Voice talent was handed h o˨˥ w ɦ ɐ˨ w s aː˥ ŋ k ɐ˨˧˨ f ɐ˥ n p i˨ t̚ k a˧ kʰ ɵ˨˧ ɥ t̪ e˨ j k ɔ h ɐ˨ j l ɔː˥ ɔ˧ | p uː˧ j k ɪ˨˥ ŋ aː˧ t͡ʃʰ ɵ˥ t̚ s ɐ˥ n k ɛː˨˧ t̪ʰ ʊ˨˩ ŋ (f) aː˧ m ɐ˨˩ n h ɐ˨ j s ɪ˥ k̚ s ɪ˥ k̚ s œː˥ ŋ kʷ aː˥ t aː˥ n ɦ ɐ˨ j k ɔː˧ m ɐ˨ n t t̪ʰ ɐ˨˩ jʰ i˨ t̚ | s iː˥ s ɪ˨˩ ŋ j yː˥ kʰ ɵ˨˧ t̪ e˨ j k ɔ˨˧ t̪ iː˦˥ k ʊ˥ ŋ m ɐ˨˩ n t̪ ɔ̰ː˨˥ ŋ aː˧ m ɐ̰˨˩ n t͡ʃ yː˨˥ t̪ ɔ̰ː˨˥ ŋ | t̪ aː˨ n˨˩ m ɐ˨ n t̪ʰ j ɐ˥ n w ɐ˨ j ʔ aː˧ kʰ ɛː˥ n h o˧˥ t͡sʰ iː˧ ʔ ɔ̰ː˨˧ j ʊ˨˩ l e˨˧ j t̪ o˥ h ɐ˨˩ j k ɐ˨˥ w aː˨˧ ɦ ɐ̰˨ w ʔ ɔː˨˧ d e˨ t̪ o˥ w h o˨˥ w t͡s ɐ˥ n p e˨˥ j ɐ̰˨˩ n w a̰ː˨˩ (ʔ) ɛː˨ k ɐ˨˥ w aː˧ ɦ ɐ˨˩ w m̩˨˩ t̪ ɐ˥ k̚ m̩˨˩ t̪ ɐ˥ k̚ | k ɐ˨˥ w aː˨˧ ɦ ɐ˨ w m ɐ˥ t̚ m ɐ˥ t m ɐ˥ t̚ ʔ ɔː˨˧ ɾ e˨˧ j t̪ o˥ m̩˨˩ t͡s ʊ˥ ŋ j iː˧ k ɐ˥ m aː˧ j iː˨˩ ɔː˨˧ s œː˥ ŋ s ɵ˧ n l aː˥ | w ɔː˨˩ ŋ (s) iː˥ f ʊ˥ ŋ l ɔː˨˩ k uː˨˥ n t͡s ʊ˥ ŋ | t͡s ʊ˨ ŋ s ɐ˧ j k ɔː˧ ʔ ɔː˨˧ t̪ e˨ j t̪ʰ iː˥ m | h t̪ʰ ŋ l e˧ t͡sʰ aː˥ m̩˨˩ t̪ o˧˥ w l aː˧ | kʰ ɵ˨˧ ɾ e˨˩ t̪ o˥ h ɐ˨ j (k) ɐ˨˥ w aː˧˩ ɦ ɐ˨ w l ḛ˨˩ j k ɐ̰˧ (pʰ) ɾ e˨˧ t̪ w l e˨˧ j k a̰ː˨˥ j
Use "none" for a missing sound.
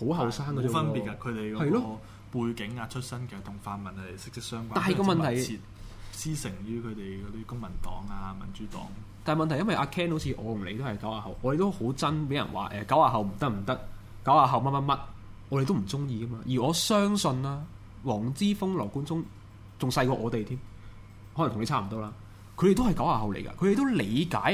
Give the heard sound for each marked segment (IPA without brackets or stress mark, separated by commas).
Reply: f, ʔ, t͡s, k, kʰ